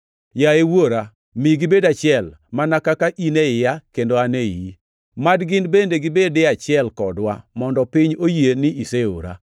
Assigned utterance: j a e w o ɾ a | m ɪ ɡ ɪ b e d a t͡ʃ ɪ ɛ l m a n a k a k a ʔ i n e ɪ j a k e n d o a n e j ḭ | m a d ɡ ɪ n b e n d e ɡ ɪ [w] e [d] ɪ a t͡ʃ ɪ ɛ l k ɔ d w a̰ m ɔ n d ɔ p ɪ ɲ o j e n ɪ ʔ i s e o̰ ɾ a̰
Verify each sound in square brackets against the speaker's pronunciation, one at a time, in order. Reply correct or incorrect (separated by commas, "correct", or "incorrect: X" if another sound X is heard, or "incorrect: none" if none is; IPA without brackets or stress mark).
incorrect: b, correct